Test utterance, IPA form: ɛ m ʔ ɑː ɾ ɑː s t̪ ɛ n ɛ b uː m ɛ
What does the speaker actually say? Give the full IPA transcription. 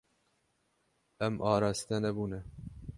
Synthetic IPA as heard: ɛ m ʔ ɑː ɾ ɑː s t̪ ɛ n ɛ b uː n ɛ